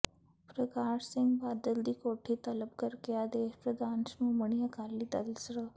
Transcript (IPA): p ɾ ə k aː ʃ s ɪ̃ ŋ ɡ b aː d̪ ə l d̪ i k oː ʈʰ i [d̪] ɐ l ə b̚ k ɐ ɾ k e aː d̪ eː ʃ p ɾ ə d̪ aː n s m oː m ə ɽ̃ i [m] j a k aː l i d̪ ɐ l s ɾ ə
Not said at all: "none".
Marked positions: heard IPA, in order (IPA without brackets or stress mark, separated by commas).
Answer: t̪, none